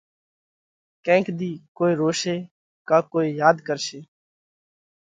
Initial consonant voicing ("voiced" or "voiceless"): voiceless